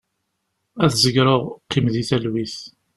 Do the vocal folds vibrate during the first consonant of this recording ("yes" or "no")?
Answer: no